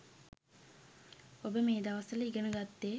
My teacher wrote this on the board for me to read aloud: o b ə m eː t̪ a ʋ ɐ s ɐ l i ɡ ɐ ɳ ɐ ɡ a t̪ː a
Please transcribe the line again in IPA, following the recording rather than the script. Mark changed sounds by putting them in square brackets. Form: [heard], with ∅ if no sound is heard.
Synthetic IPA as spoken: o b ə m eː [d̪] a ʋ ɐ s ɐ l i ɡ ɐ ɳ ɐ ɡ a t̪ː [e]